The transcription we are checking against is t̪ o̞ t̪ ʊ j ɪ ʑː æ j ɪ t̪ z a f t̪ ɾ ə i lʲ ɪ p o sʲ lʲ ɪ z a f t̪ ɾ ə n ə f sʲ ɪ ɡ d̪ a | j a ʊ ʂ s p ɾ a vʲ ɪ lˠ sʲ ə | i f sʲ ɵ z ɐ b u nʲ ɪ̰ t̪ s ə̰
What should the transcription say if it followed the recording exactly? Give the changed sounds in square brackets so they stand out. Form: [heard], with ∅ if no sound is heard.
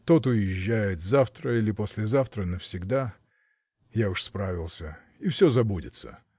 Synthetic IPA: t̪ o̞ t̪ ʊ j ɪ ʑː æ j ɪ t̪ z a f t̪ ɾ ə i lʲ ɪ p o sʲ lʲ ɪ z a f t̪ ɾ ə n ə f sʲ ɪ ɡ d̪ a | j a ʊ ʂ s p ɾ a vʲ ɪ lˠ sʲ ə | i f sʲ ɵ z ɐ b u [dʲ] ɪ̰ t̪ s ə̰